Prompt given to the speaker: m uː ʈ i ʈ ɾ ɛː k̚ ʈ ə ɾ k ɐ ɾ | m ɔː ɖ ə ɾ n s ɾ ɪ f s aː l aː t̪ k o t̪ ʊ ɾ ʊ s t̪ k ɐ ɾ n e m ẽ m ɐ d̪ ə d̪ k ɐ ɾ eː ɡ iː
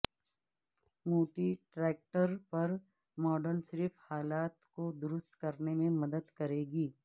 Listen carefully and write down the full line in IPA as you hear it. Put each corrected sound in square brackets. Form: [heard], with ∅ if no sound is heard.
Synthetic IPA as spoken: m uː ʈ i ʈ ɾ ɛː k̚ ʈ ə ɾ [p] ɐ ɾ | m ɔː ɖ ə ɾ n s ɾ ɪ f [h] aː l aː t̪ k o [d̪] ʊ ɾ ʊ s t̪ k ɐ ɾ n e m ẽ m ɐ d̪ ə d̪ k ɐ ɾ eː ɡ iː